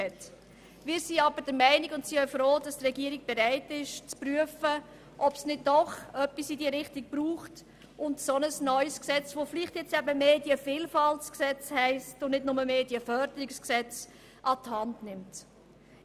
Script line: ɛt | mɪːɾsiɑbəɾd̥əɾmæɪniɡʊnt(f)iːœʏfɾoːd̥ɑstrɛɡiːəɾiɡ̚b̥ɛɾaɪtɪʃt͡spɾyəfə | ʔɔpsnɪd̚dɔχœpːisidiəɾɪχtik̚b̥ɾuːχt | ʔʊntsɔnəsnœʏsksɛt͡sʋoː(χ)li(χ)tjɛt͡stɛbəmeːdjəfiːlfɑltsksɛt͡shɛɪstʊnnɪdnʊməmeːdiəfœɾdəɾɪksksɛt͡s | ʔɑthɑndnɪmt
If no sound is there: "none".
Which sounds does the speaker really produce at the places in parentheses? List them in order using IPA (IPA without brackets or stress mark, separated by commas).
s, f, χ